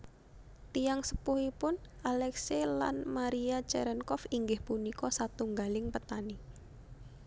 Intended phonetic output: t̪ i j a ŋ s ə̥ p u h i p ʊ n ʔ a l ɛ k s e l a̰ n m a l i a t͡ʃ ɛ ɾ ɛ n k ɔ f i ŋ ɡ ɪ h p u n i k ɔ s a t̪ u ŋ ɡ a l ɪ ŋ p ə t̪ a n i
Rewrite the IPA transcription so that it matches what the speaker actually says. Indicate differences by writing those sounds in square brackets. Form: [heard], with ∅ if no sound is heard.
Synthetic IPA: t̪ i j a ŋ s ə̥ p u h i p ʊ n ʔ a l ɛ k s e l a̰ n m a [ɾ] i a t͡ʃ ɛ ɾ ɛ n k ɔ f i ŋ ɡ ɪ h p u n i k ɔ s a t̪ u ŋ ɡ a l ɪ ŋ p ə t̪ a n i

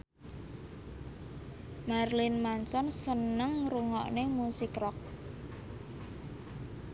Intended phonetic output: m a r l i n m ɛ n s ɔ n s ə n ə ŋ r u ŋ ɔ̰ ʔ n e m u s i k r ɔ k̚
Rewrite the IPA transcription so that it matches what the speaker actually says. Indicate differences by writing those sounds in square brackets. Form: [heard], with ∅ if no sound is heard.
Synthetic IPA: m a r l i n m [a] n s ɔ n s ə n ə ŋ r u ŋ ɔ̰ ʔ n e m u s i k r ɔ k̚

